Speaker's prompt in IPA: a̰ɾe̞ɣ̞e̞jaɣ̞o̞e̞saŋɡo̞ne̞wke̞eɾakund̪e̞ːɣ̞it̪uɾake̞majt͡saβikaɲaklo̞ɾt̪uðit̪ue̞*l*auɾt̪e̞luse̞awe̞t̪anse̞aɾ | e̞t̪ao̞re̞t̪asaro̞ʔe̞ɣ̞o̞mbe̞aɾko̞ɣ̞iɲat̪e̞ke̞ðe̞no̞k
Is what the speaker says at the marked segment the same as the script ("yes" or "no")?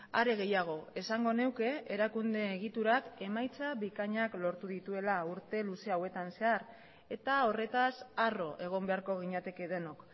yes